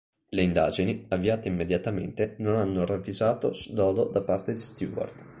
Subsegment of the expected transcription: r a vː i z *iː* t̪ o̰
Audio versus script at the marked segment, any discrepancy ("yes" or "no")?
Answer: yes